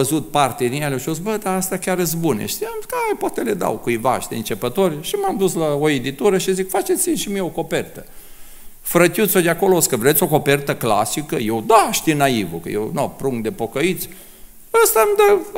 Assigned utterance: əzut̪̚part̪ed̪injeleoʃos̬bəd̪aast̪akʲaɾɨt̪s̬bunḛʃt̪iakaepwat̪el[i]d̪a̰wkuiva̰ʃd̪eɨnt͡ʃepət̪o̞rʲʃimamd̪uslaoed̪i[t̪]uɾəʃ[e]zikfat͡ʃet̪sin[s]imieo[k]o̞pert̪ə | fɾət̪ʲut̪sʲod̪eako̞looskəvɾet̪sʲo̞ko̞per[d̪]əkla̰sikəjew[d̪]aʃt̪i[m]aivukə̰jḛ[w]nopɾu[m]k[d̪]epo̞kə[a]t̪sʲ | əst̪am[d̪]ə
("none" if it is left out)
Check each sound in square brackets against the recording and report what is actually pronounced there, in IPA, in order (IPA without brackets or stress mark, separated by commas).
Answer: e, t̪, i, ʃ, k, t̪, d̪, n, w, ŋ, d̪, i, d̪